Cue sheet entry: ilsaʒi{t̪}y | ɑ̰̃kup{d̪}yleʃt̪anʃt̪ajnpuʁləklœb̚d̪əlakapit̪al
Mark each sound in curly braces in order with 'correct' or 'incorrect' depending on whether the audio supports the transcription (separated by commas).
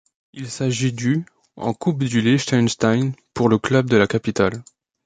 incorrect, correct